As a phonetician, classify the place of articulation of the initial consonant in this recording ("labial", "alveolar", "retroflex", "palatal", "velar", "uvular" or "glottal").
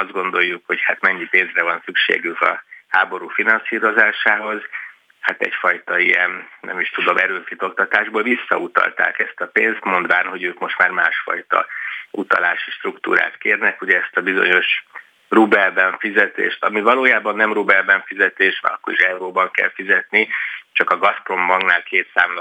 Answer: alveolar